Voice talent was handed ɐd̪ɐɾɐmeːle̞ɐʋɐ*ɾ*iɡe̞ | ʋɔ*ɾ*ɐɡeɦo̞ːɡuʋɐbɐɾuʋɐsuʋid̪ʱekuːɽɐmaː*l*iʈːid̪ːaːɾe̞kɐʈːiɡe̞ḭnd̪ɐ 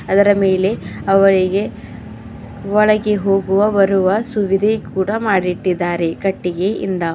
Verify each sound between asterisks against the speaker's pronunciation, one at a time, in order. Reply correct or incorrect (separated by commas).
incorrect, incorrect, incorrect